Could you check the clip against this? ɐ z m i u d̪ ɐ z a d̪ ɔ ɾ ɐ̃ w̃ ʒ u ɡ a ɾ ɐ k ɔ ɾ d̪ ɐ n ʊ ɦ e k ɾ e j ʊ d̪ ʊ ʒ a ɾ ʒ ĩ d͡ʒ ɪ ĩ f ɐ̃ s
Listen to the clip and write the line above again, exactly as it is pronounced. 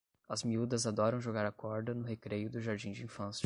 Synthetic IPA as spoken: ɐ z m i u d̪ ɐ z a d̪ ɔ ɾ ɐ̃ w̃ ʒ o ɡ a ɾ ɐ k ɔ ɾ d̪ ɐ n ʊ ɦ e k ɾ e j ʊ d̪ ʊ ʒ a ɾ d͡ʒ ĩ d͡ʒ ɪ ĩ f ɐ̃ s